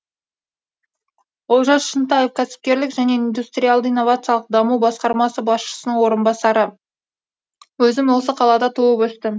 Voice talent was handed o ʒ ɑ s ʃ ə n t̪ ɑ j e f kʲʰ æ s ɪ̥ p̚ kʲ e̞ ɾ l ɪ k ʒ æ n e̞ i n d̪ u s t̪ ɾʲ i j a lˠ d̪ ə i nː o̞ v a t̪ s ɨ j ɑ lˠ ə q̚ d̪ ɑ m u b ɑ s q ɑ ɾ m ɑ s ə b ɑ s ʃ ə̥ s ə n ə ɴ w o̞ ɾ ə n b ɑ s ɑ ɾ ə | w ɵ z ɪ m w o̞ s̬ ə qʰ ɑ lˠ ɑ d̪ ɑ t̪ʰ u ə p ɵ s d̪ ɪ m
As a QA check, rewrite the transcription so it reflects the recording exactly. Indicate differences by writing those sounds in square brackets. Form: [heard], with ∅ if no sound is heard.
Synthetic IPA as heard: o ʒ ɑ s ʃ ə n t̪ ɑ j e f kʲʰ æ s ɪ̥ p̚ kʲ e̞ ɾ l ɪ k ʒ æ n e̞ i n d̪ u s t̪ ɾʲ i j a lˠ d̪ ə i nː o̞ v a t̪ s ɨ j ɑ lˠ ə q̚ d̪ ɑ m u b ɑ s q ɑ ɾ m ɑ s ə b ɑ s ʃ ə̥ s ə n ə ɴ w o̞ ɾ ə n b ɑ s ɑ ɾ ə | w ɵ z ɪ m w o̞ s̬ ə qʰ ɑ lˠ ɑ d̪ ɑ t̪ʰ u ə p ɵ s [t̪] ɪ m